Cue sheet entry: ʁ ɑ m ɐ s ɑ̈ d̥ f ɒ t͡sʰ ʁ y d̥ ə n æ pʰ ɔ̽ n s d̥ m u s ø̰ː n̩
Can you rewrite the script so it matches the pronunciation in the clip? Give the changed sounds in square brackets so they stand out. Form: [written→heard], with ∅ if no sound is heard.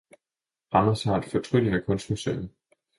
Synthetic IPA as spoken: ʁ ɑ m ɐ s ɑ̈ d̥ f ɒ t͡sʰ ʁ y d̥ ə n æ [pʰ→kʰ] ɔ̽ n s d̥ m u s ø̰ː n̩